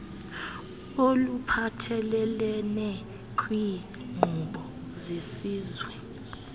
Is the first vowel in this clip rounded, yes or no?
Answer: yes